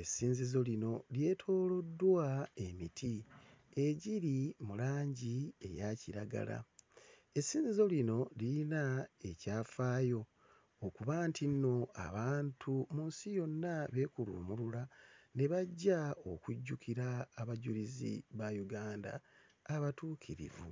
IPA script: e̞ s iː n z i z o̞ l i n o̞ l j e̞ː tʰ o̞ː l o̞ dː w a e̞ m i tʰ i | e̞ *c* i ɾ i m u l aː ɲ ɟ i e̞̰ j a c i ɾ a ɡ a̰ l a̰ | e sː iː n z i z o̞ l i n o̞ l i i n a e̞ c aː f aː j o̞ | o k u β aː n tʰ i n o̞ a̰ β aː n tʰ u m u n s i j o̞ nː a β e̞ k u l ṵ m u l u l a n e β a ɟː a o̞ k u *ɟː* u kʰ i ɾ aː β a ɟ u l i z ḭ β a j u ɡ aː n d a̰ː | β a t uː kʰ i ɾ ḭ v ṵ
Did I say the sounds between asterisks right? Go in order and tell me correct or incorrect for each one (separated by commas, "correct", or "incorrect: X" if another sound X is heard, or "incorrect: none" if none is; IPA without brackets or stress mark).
incorrect: ɟ, correct